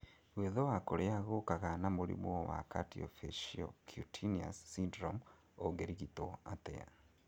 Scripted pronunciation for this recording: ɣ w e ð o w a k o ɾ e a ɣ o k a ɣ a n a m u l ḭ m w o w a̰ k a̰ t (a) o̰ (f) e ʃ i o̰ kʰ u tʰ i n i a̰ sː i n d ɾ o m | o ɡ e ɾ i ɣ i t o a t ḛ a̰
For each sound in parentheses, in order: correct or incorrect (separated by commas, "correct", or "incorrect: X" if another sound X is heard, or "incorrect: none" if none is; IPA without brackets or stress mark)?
incorrect: i, correct